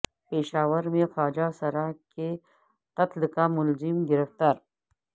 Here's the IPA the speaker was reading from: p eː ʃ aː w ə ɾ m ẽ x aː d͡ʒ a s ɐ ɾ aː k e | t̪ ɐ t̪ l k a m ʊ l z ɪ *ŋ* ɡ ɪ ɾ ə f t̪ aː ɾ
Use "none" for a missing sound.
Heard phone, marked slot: m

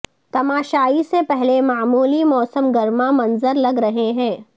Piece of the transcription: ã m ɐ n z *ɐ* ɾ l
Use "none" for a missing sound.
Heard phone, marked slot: ə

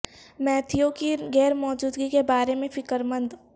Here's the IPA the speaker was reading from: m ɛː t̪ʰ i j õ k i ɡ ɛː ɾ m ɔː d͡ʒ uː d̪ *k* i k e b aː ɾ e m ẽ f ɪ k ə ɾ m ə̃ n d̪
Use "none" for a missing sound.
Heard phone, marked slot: ɡ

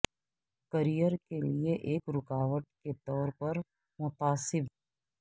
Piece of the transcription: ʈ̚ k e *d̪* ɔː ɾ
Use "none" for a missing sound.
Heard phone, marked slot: t̪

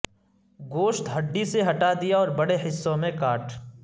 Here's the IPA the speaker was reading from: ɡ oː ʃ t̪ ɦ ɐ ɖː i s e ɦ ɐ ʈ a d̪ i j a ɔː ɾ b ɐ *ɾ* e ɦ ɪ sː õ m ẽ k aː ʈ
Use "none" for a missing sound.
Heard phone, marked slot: ɽ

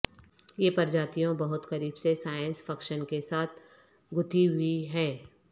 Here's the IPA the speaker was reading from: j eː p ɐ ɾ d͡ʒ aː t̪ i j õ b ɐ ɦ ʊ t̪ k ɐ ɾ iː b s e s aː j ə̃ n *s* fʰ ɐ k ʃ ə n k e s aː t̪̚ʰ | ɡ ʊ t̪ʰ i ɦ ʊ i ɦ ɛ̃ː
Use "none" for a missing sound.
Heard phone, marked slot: s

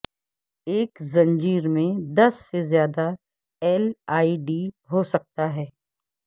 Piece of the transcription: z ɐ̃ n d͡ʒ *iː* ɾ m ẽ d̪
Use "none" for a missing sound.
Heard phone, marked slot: iː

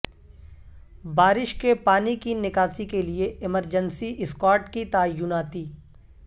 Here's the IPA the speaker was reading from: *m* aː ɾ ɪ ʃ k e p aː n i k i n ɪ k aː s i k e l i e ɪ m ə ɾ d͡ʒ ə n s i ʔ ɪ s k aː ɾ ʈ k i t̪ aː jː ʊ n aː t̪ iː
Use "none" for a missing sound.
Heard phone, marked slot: b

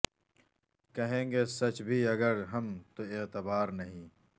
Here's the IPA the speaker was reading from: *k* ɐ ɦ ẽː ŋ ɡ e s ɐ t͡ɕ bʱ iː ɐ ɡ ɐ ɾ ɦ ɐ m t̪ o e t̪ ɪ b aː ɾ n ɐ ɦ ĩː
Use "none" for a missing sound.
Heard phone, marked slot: k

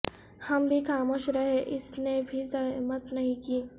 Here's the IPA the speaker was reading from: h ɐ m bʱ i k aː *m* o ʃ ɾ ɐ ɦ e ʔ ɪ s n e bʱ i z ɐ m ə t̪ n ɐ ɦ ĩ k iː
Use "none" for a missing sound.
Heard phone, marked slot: m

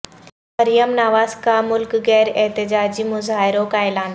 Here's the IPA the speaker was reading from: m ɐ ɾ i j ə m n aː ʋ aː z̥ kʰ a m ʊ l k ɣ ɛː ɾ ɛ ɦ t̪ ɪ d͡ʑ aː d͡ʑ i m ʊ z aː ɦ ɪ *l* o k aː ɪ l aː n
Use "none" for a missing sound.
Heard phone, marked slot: ɾ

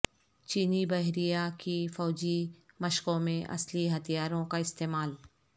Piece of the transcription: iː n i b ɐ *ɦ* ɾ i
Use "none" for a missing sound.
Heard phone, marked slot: ɦ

